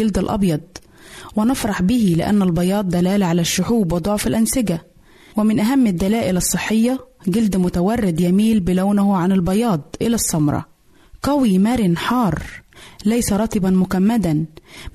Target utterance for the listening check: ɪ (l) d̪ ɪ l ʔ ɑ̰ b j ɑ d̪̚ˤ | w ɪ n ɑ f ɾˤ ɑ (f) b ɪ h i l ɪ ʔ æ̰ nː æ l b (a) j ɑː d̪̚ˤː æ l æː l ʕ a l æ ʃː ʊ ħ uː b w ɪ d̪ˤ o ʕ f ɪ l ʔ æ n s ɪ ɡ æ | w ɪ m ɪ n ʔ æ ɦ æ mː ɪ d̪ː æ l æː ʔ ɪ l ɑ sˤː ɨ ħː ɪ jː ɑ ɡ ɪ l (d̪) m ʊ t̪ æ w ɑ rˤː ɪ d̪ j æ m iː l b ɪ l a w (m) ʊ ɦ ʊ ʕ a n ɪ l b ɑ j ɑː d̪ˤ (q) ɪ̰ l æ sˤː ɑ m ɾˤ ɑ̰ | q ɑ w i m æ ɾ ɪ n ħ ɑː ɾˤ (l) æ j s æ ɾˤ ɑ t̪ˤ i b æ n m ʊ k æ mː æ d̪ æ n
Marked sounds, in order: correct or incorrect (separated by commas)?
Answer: correct, incorrect, incorrect, correct, incorrect, incorrect, correct